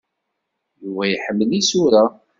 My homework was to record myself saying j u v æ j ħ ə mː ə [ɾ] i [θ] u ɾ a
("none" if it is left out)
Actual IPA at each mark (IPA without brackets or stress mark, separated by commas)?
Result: l, s